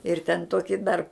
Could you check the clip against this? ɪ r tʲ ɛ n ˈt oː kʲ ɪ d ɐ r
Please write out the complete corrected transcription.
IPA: ɪ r tʲ ɛ n ˈt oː kʲ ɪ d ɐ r

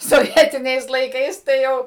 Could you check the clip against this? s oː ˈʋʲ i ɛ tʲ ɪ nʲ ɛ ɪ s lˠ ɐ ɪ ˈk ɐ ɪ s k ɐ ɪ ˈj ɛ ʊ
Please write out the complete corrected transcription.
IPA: s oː ˈʋʲ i ɛ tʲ ɪ nʲ ɛ ɪ s lˠ ɐ ɪ ˈk ɐ ɪ s t ɐ ɪ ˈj ɛ ʊ

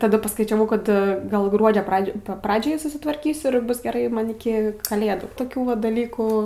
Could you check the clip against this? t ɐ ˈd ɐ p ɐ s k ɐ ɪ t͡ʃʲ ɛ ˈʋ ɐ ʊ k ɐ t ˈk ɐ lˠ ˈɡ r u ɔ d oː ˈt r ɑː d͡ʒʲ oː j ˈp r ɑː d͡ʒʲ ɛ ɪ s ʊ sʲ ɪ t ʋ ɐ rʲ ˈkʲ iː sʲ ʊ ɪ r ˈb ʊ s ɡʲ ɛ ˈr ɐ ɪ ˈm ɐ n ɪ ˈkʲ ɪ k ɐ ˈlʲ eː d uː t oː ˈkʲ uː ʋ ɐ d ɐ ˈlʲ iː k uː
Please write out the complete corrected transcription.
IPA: t ɐ ˈd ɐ p ɐ s k ɐ ɪ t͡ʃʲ ɛ ˈʋ ɐ ʊ k ɐ t ˈɡ ɐ lˠ ˈɡ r u ɔ d͡ʒʲ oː ˈp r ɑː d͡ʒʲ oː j ˈp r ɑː d͡ʒʲ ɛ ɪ s ʊ sʲ ɪ t ʋ ɐ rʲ ˈkʲ iː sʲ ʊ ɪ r ˈb ʊ s ɡʲ ɛ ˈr ɐ ɪ ˈm ɐ n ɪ ˈkʲ ɪ k ɐ ˈlʲ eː d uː t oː ˈkʲ uː ʋ ɐ d ɐ ˈlʲ iː k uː

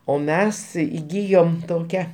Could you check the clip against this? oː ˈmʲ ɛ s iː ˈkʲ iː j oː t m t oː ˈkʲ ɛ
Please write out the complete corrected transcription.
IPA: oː ˈmʲ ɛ s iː ˈɡʲ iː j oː m t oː ˈkʲ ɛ

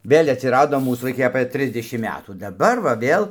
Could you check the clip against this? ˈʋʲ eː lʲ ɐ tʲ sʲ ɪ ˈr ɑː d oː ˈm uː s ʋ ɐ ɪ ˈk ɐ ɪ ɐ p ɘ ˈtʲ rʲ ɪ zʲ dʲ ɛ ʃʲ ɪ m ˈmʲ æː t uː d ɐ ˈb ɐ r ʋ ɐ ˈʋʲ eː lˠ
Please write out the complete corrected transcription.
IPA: ˈʋʲ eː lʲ ɐ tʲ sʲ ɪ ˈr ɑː d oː ˈm uː s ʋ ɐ ɪ ˈk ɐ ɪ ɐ p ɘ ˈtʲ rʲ ɪ zʲ dʲ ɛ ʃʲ ɪ m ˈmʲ æː t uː d ɐ ˈb ɐ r ʋ ɐ ˈʋʲ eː lˠ

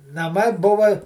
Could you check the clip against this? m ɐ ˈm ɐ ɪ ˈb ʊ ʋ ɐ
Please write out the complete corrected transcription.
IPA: n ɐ ˈm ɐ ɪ ˈb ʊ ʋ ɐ

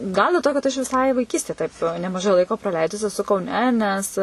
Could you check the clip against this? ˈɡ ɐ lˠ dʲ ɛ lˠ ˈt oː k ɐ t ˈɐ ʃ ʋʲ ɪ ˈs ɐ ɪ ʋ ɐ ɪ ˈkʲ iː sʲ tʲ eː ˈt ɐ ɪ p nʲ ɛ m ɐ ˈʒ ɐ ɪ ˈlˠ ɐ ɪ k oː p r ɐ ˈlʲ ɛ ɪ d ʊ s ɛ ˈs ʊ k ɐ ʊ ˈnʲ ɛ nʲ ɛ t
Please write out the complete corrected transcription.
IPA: ˈɡ ɐ lˠ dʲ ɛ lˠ ˈt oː k ɐ t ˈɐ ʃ ʋʲ ɪ ˈs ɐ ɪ ʋ ɐ ɪ ˈkʲ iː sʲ tʲ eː ˈt ɐ ɪ p nʲ ɛ m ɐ ˈʒ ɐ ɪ ˈlˠ ɐ ɪ k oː p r ɐ ˈlʲ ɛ ɪ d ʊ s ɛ ˈs ʊ k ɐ ʊ ˈnʲ ɛ nʲ ɛ s

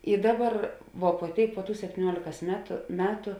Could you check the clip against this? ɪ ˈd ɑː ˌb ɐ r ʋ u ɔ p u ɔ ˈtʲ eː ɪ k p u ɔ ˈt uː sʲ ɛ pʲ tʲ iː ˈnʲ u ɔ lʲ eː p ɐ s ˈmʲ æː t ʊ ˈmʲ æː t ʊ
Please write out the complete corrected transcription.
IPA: ɪ ˈd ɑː ˌb ɐ r ʋ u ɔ p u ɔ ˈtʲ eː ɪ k p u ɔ ˈt uː sʲ ɛ pʲ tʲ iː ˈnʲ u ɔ lʲ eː k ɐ s ˈmʲ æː t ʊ ˈmʲ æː t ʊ

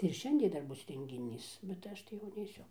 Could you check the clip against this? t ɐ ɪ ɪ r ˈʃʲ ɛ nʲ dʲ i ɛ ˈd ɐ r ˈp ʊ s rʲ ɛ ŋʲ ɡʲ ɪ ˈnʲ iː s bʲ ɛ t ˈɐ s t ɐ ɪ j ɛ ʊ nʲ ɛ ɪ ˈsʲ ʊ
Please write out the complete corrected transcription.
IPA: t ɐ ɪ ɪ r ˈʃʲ ɛ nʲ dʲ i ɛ ˈd ɐ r ˈb ʊ s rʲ ɛ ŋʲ ɡʲ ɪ ˈnʲ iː s bʲ ɛ t ˈɐ ʃ t ɐ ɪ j ɛ ʊ nʲ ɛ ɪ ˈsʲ ʊ

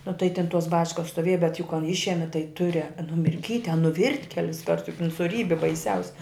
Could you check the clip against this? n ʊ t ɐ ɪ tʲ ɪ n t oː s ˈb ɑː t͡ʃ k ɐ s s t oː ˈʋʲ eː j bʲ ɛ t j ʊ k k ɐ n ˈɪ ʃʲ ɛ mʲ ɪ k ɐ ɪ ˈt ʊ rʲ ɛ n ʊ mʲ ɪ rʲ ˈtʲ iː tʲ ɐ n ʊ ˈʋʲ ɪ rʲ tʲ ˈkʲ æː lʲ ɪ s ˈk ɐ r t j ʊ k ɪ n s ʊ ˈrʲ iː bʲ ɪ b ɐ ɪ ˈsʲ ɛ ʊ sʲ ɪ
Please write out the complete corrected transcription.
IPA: n ʊ t ɐ ɪ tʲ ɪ n t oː s ˈb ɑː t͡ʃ k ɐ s s t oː ˈʋʲ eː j bʲ ɛ t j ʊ k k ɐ n ˈɪ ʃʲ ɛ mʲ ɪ t ɐ ɪ ˈt ʊ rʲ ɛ n ʊ mʲ ɪ rʲ ˈkʲ iː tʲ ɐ n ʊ ˈʋʲ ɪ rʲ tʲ ˈkʲ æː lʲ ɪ s ˈk ɐ r t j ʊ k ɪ n s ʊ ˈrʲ iː bʲ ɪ b ɐ ɪ ˈsʲ ɛ ʊ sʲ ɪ

